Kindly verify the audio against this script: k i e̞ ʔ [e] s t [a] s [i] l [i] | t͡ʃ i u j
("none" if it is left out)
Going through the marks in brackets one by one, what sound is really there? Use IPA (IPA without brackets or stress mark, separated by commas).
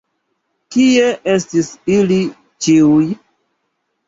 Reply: e, i, i, i